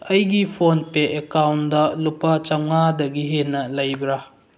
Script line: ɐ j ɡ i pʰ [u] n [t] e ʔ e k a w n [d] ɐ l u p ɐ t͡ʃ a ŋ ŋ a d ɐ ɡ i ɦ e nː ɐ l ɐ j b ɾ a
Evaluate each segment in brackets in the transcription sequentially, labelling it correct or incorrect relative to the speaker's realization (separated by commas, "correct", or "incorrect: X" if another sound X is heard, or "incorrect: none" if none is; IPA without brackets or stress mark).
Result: incorrect: o, incorrect: p, correct